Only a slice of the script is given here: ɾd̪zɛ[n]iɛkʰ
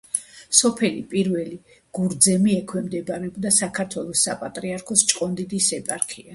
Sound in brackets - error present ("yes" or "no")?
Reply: yes